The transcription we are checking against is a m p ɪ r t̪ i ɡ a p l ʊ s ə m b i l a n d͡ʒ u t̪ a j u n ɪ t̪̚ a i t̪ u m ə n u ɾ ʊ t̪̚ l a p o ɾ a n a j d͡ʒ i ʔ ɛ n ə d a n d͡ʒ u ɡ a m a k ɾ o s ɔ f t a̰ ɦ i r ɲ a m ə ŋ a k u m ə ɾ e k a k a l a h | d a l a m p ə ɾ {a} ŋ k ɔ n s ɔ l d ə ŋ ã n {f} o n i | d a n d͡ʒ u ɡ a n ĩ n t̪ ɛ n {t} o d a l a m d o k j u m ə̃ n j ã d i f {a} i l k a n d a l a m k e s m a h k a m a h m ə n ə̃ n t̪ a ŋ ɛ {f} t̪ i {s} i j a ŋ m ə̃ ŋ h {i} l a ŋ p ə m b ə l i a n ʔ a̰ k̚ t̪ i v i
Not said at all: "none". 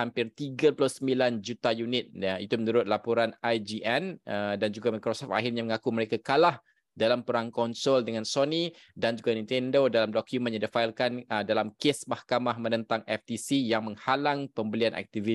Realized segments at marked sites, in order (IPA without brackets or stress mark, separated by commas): a, s, d, a, f, s, a